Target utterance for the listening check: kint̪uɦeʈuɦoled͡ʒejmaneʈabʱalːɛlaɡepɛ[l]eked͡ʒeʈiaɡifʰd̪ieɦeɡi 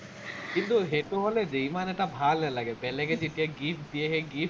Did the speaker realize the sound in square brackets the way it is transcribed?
yes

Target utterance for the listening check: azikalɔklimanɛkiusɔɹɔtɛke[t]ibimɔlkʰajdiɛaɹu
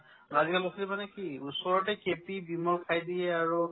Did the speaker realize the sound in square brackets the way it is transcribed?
no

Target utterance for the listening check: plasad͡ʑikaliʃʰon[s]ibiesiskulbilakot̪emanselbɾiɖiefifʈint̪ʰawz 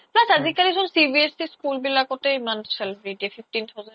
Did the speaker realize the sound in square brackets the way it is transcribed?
yes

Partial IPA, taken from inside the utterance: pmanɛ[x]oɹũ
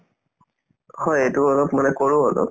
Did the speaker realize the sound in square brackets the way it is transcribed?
no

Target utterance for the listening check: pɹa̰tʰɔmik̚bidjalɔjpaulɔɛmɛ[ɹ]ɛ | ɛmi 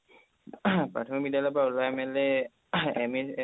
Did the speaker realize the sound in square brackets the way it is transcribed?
no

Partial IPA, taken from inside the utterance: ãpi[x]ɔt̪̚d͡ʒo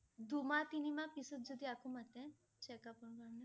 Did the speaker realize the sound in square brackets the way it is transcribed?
no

